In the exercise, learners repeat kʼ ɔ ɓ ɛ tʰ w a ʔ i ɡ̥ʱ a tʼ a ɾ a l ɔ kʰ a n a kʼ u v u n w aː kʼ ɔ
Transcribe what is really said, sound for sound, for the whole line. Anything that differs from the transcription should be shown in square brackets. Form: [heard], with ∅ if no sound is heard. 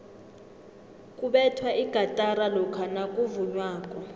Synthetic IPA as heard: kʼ [u] ɓ ɛ tʰ w a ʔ i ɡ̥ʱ a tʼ a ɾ a l ɔ kʰ a n a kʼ u v u [ɲ] w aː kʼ ɔ